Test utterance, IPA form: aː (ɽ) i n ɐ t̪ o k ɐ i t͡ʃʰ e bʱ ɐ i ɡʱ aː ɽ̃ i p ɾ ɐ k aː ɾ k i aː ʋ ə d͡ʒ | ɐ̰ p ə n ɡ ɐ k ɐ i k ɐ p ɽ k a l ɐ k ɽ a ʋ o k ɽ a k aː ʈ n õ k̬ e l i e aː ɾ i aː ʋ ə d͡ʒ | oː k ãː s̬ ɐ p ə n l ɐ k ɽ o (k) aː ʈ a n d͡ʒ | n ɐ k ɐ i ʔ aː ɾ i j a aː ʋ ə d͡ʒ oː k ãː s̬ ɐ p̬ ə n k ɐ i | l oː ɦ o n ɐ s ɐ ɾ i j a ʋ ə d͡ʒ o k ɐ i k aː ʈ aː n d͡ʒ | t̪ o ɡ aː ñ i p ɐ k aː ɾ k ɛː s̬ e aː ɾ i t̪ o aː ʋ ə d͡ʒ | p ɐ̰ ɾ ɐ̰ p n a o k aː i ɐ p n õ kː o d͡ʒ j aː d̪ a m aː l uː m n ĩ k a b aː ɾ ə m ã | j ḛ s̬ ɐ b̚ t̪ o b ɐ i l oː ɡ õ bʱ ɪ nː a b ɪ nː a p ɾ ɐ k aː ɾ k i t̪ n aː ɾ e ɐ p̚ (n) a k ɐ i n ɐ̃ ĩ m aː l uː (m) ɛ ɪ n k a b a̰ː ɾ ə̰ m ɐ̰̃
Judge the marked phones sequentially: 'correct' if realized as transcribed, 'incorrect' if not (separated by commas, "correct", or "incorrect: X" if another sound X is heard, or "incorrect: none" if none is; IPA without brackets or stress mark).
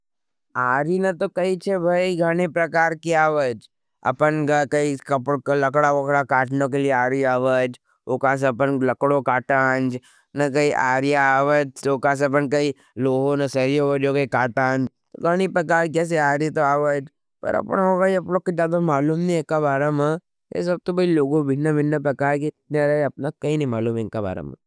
incorrect: ɾ, correct, correct, correct